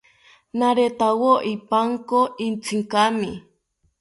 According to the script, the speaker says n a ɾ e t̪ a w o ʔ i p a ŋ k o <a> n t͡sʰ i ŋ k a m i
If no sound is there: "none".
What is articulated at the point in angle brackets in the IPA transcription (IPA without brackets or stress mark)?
i